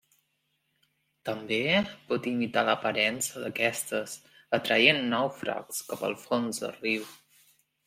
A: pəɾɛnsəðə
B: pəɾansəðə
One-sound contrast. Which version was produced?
A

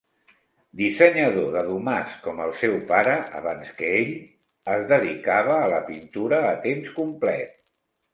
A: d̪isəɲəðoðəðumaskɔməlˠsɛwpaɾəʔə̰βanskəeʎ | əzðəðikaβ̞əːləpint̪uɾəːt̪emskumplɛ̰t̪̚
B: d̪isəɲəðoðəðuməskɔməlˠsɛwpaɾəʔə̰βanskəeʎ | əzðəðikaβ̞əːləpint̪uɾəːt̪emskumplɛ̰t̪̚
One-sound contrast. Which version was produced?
A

